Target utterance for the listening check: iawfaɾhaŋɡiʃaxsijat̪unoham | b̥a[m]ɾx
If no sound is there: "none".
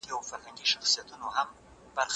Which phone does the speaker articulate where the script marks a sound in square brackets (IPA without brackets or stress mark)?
none